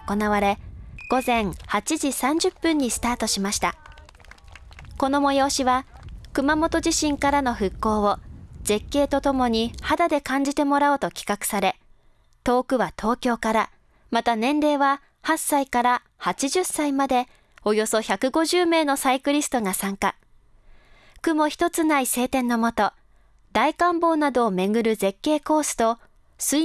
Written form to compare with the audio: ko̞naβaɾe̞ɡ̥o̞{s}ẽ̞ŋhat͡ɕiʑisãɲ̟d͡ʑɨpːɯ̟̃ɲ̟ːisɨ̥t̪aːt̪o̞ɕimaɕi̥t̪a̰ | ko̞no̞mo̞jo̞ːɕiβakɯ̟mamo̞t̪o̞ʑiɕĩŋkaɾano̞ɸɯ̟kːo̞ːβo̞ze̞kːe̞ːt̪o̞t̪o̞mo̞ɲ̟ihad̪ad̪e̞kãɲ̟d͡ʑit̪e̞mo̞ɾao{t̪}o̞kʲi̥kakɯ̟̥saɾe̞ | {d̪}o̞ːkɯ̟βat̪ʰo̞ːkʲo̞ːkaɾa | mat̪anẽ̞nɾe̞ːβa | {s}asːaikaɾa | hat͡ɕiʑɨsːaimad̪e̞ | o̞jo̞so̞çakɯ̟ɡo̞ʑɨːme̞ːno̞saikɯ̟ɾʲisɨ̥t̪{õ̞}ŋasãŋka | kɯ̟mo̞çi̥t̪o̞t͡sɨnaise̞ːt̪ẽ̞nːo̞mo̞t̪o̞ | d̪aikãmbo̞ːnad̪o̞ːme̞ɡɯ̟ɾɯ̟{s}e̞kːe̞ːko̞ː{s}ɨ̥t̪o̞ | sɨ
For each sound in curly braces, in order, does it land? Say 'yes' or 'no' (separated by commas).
no, yes, no, no, no, no, yes